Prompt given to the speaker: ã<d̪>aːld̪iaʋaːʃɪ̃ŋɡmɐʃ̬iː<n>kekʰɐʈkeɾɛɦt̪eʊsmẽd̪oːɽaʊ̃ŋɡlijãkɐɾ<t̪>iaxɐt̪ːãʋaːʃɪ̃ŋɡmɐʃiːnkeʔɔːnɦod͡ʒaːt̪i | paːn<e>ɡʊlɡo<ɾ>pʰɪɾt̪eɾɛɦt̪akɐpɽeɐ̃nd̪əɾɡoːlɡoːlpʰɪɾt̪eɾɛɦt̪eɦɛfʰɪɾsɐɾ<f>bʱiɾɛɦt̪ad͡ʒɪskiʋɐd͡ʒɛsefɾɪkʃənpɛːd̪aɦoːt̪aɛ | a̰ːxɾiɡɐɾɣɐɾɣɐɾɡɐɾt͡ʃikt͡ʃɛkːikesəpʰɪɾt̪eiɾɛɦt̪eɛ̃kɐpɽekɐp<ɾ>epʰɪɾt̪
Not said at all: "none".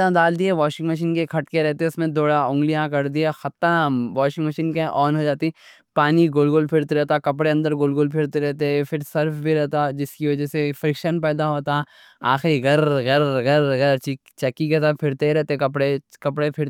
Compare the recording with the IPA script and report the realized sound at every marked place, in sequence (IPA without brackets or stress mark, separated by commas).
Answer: d̪, n, d̪, i, l, f, ɽ